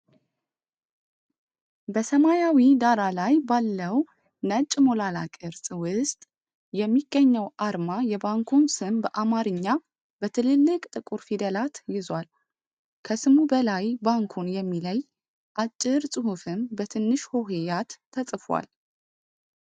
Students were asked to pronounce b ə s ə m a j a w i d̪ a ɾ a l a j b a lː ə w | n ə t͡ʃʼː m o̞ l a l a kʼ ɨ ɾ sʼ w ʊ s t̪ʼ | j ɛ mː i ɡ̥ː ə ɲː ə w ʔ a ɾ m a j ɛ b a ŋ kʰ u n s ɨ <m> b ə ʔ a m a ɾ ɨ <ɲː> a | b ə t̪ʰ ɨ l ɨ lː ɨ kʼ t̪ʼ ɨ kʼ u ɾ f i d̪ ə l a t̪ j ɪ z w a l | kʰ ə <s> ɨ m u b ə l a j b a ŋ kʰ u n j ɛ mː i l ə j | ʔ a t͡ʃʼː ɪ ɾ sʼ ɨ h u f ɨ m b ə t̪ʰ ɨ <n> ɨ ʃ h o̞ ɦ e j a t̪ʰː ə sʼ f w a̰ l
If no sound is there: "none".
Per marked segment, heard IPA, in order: m, ɲː, s, nː

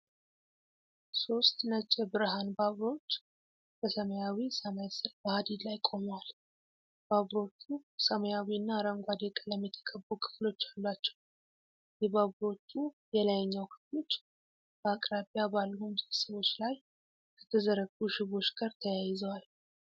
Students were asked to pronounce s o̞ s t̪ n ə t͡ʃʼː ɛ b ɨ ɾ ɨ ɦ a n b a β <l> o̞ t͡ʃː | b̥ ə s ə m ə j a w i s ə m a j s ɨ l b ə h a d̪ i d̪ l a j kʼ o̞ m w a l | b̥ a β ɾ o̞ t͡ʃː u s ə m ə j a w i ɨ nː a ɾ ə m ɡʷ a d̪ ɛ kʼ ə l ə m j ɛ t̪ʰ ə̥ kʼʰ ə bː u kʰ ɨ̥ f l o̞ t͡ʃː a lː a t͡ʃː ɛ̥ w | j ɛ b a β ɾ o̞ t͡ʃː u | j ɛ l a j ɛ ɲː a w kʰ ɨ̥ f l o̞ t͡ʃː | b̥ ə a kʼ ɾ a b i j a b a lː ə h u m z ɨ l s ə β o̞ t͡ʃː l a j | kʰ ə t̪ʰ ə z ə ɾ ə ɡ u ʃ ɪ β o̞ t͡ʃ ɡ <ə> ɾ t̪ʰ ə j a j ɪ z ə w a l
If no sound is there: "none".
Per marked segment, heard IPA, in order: ɾ, a

